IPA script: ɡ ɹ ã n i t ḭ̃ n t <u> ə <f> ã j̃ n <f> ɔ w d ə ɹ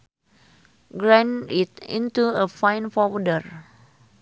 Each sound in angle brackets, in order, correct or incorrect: correct, correct, correct

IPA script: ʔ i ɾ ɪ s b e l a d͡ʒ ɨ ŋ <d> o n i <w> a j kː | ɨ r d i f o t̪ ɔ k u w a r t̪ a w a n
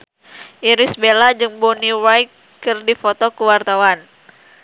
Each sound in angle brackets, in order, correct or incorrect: incorrect, correct

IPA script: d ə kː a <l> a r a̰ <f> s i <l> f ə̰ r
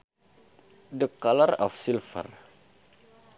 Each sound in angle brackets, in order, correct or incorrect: correct, correct, correct

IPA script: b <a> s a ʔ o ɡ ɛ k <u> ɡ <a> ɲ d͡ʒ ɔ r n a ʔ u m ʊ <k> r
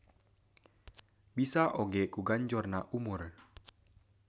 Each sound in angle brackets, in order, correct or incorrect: incorrect, correct, correct, incorrect

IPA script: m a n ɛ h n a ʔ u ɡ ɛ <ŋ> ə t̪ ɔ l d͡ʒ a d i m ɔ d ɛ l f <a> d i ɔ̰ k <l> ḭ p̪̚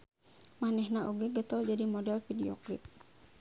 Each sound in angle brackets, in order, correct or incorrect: incorrect, incorrect, correct

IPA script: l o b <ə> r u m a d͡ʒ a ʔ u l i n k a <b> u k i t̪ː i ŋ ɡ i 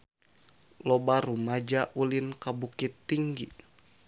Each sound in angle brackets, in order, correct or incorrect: incorrect, correct

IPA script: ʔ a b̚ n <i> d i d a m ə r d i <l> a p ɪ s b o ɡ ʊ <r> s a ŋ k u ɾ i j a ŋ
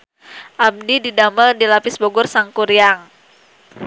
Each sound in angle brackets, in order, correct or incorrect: correct, correct, correct

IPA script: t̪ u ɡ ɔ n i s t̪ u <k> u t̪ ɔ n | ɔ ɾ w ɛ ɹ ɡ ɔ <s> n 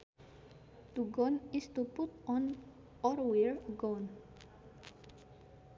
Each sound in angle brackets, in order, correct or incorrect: incorrect, incorrect

